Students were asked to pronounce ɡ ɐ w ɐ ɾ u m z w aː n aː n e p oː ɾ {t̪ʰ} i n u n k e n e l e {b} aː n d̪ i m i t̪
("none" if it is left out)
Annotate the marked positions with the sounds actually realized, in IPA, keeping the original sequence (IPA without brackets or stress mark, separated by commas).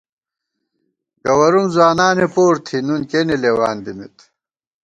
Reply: t̪ʰ, w